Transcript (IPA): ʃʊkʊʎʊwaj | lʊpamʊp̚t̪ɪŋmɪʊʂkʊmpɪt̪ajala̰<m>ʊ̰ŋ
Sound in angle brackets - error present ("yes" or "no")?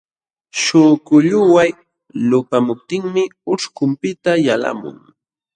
no